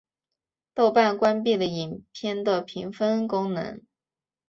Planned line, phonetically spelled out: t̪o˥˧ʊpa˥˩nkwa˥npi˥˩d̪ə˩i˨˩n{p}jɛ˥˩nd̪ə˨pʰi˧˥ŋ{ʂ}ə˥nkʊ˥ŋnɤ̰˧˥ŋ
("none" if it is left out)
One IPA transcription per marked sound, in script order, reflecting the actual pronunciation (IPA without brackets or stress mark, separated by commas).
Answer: pʰ, f